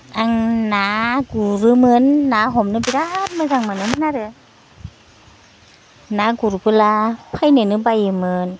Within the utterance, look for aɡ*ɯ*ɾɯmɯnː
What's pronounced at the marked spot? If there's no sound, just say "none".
u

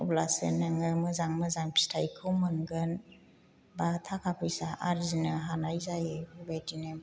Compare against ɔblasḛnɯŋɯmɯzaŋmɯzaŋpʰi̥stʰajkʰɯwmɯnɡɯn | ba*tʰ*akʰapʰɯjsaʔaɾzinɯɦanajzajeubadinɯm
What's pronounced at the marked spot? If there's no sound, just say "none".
tʰ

